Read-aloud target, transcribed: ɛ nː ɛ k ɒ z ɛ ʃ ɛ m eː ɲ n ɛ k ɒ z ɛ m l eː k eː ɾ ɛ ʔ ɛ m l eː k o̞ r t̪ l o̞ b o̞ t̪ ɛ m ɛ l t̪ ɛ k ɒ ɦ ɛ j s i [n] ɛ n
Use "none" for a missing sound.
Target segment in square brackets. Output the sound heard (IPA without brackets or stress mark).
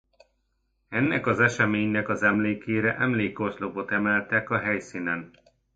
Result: n